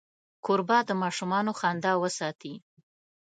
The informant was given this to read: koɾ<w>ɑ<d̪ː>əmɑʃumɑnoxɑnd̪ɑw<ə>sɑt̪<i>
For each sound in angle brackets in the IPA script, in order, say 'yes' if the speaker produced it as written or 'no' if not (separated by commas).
no, no, yes, yes